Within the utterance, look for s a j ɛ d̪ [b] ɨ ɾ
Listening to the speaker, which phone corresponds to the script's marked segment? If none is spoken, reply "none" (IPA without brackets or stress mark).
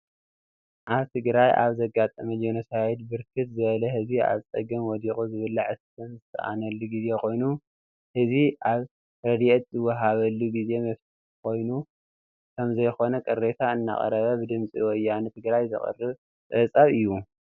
b